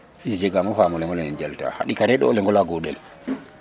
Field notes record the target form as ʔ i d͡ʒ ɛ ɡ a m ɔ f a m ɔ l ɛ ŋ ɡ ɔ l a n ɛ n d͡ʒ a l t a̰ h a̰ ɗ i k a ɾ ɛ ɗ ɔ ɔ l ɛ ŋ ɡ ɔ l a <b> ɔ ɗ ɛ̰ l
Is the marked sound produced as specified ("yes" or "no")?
no